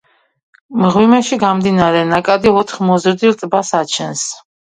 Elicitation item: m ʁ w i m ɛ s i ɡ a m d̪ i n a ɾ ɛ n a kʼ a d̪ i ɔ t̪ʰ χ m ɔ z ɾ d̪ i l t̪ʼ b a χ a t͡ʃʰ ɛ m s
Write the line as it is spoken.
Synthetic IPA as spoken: m ʁ w i m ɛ ʃ i ɡ a m d̪ i n a ɾ ɛ n a kʼ a d̪ i ɔ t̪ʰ χ m ɔ z ɾ d̪ i l t̪ʼ b a s a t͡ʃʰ ɛ n s